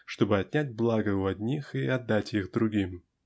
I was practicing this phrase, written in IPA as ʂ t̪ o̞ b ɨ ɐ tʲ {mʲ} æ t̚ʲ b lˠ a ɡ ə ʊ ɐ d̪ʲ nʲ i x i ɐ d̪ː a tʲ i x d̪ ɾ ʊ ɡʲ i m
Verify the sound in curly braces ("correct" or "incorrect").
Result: incorrect